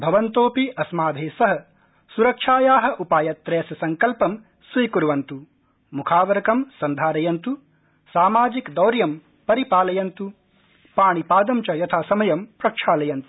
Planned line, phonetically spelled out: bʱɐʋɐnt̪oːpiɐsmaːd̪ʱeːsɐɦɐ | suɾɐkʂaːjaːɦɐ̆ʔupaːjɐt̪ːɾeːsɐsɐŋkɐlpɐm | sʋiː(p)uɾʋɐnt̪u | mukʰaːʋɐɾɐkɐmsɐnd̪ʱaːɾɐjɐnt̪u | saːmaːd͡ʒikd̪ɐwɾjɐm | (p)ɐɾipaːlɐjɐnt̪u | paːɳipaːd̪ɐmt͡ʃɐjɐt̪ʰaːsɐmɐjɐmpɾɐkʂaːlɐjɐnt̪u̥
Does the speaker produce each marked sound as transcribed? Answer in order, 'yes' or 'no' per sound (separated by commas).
no, yes